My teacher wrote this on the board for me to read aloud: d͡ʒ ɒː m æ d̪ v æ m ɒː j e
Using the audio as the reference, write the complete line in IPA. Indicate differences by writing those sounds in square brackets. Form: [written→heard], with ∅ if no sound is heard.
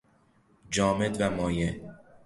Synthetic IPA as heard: d͡ʒ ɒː m [æ→e] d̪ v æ m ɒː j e